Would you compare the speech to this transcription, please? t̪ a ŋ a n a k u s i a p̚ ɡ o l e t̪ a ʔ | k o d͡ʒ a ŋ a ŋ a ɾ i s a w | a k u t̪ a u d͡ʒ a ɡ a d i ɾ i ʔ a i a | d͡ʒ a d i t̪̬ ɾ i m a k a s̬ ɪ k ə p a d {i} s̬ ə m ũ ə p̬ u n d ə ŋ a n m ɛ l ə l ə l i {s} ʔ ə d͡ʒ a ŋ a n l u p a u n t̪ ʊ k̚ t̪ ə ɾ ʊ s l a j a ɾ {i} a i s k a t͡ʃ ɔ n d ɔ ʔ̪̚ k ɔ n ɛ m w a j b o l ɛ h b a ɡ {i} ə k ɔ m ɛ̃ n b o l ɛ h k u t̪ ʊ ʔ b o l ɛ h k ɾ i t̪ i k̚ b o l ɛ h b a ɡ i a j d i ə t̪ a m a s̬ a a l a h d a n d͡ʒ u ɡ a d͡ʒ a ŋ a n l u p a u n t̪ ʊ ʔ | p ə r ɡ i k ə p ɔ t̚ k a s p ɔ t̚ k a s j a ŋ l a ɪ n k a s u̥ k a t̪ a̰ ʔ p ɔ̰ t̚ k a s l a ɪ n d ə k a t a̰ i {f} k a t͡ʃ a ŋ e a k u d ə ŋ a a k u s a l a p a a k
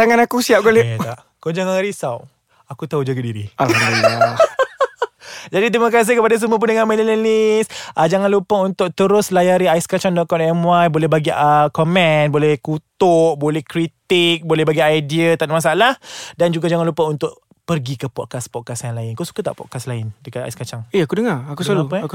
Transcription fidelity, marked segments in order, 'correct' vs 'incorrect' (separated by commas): incorrect, correct, correct, correct, incorrect